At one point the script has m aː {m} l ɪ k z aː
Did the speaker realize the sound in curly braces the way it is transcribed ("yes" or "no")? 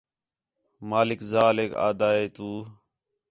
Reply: no